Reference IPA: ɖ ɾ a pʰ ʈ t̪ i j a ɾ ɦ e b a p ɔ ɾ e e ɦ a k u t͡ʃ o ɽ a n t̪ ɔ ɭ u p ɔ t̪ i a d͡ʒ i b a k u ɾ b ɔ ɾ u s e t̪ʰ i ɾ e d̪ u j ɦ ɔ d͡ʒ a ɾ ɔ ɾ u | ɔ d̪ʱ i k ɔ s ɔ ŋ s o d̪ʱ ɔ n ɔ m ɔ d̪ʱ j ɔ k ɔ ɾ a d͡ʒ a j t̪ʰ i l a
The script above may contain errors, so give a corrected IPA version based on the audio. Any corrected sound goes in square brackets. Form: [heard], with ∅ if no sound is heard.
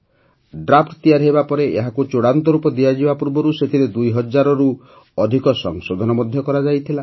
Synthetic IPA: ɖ ɾ a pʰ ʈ t̪ i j a ɾ ɦ e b a p ɔ ɾ e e ɦ a k u t͡ʃ o ɽ a n t̪ ɔ [ɾ] u p ɔ [d̪] i a d͡ʒ i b a [p] u ɾ b ɔ ɾ u s e t̪ʰ i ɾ e d̪ u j ɦ ɔ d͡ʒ a ɾ ɔ ɾ u | ɔ d̪ʱ i k ɔ s ɔ ŋ s o d̪ʱ ɔ n ɔ m ɔ d̪ʱ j ɔ k ɔ ɾ a d͡ʒ a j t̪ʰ i l a